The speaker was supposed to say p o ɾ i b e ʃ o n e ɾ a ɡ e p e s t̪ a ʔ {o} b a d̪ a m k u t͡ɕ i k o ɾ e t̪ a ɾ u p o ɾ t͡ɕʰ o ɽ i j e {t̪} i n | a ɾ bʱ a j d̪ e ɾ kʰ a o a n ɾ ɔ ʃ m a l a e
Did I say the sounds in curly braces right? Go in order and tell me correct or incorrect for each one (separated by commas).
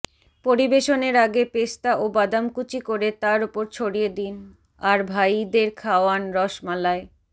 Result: correct, incorrect